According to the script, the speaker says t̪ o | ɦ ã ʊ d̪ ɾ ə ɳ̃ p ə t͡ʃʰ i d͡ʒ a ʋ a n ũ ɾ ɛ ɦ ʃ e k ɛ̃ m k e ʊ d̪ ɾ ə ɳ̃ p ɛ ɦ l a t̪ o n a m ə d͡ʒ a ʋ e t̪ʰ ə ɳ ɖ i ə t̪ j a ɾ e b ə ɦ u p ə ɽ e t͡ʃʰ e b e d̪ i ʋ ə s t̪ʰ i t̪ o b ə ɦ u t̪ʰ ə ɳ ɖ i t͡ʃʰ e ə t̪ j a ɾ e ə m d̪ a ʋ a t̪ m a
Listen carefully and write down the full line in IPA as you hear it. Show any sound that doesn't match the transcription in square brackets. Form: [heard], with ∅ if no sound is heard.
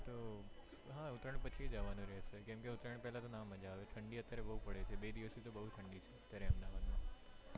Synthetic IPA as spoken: t̪ o | ɦ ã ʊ [t̪] ɾ ə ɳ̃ p ə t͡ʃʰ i d͡ʒ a ʋ a n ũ ɾ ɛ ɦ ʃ e k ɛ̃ m k e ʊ [t̪] ɾ ə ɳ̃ p ɛ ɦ l a t̪ o n a m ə d͡ʒ a ʋ e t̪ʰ ə ɳ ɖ i ə t̪ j a ɾ e b ə ɦ u p ə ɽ e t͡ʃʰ e b e d̪ i ʋ ə s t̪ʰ i t̪ o b ə ɦ u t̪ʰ ə ɳ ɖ i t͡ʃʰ e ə t̪ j a ɾ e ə m d̪ a ʋ a [d̪] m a